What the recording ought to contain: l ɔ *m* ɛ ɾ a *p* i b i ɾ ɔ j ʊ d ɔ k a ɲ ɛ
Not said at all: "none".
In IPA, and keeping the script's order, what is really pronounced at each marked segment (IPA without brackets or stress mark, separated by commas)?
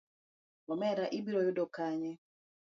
m, ʔ